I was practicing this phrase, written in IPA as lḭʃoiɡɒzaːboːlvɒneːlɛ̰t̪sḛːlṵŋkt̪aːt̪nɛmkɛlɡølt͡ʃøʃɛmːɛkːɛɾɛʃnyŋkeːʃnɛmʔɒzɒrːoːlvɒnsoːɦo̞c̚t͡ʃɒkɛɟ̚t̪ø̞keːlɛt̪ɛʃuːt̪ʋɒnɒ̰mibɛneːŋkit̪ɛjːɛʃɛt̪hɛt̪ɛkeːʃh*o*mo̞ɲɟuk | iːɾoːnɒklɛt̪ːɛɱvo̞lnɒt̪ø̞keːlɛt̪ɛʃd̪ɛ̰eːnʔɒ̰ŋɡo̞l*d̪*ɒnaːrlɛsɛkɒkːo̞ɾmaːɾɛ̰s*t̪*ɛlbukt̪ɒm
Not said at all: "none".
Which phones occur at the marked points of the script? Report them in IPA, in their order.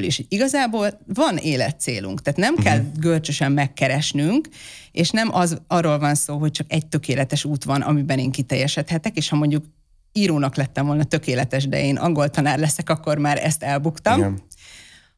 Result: ɒ, t̪, t̪

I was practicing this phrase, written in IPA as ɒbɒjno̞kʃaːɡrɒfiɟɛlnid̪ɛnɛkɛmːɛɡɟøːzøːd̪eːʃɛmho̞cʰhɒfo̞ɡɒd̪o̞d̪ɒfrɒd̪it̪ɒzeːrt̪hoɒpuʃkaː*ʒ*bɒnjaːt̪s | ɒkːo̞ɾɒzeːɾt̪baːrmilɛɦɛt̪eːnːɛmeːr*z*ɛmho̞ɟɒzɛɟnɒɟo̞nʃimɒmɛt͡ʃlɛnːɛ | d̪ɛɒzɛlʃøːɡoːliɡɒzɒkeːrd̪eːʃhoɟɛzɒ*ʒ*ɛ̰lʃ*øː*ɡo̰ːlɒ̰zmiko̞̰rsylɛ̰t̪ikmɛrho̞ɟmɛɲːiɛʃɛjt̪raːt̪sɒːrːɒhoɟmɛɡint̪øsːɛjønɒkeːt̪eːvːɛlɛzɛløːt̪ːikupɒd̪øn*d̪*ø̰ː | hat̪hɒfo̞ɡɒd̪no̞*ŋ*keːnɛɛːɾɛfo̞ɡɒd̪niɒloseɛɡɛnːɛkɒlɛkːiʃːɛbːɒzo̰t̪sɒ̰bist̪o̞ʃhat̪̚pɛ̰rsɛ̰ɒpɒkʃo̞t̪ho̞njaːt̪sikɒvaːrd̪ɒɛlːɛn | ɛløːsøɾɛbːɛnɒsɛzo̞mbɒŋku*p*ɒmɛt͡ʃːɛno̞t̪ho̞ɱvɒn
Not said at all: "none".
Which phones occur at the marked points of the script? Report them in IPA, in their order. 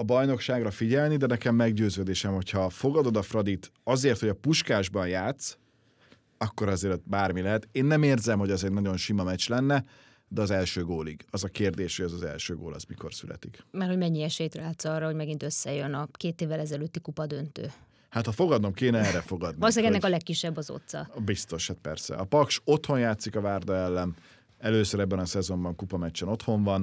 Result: ʒ, z, z, øː, t̪, m, p

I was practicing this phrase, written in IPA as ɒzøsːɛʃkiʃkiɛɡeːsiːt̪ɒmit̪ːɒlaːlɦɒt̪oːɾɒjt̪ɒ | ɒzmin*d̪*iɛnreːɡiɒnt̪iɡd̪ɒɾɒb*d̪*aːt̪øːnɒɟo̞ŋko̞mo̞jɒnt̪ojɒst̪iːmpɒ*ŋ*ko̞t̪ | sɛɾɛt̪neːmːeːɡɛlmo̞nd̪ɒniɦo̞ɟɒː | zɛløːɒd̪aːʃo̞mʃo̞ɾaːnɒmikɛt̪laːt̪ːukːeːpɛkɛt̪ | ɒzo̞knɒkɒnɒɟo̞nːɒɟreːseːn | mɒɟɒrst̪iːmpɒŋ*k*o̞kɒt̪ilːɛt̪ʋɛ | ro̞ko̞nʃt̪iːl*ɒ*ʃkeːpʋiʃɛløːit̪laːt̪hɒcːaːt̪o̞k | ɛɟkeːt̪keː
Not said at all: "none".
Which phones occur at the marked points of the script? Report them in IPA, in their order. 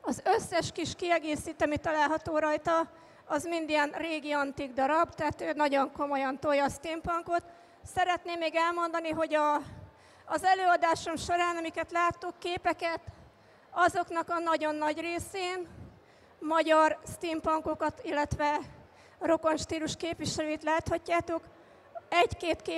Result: d̪, t̪, ŋ, k, u

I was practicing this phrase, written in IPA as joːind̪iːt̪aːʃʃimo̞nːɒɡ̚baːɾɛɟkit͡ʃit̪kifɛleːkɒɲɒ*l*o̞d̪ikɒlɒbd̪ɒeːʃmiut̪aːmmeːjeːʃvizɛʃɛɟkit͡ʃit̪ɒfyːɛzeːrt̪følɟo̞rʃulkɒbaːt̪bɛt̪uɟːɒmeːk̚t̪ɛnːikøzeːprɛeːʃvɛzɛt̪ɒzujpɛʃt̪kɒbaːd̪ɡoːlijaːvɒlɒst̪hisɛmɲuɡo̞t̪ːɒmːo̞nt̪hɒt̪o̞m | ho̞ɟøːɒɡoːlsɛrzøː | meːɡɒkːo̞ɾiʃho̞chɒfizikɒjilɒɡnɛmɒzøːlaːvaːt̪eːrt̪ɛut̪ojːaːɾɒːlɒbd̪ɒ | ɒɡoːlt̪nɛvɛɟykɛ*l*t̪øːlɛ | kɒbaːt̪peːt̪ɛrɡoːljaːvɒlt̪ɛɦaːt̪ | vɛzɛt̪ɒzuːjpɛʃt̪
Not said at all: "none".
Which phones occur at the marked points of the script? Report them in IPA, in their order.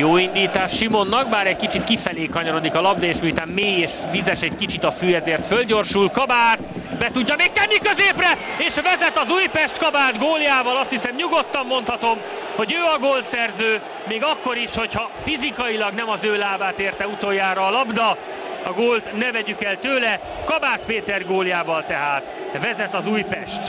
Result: ɾ, l

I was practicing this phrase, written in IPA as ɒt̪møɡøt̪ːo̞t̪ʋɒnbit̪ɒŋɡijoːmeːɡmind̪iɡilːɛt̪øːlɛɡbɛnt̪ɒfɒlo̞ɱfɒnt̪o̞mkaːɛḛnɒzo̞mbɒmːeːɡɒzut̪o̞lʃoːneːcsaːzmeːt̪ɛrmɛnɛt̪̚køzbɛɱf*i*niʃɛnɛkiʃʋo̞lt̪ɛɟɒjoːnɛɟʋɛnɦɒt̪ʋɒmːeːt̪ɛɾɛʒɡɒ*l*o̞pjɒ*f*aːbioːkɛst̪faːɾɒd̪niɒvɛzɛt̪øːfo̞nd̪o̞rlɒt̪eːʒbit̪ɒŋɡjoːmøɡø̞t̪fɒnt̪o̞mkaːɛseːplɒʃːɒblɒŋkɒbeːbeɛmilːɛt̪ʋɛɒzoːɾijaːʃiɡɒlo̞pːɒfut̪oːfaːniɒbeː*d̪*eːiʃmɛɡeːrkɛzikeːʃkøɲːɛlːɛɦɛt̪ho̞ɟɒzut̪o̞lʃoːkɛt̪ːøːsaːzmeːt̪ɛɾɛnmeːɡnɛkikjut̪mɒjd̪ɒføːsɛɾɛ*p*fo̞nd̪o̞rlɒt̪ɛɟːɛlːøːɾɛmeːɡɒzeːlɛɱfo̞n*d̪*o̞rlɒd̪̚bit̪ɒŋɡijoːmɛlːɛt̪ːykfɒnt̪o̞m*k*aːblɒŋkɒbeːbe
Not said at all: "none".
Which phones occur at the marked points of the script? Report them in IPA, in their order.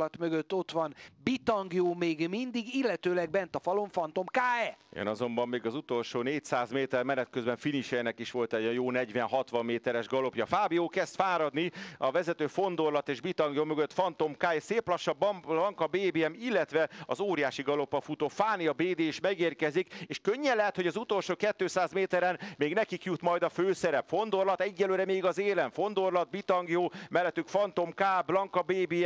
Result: i, l, f, d̪, p, d̪, k

